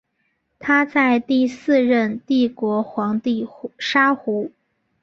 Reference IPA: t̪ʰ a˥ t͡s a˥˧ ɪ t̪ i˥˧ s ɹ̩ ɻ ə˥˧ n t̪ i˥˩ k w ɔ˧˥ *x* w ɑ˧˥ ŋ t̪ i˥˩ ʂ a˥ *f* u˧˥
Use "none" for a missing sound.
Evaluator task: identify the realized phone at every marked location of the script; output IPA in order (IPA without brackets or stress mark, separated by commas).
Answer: x, x